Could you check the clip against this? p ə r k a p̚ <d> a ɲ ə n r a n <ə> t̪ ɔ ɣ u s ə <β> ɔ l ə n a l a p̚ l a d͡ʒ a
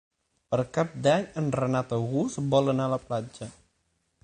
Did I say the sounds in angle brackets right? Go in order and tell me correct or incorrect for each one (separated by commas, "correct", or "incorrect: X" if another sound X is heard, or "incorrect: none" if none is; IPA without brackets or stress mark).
correct, incorrect: a, incorrect: b